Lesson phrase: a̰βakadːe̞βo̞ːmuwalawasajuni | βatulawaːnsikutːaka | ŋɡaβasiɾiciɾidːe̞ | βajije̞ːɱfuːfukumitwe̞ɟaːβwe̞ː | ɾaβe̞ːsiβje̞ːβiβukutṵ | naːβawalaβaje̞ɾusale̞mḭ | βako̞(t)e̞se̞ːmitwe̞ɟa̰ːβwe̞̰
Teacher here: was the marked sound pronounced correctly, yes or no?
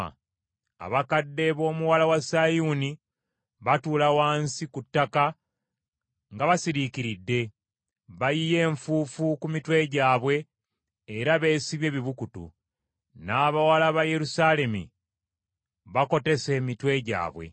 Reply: yes